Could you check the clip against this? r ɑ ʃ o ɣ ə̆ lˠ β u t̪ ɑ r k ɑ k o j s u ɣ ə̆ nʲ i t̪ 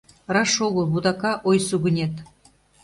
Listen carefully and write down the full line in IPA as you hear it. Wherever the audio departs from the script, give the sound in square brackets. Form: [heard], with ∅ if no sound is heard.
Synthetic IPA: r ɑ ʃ o ɣ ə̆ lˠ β u [d̪] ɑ [∅] k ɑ [ʔ] o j s u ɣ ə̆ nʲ [e] t̪